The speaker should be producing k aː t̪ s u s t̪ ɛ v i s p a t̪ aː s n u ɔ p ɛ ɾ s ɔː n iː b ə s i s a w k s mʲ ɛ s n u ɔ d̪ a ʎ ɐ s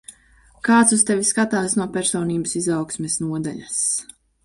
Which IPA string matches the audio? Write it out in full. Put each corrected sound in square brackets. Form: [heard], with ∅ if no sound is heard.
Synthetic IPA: k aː t̪ s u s t̪ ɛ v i s [k] a t̪ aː s n u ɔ p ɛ ɾ s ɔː n iː b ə s i [z] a w k s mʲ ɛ s n u ɔ d̪ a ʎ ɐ s